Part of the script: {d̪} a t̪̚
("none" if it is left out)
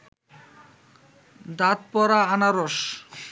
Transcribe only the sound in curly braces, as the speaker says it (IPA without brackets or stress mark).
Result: d̪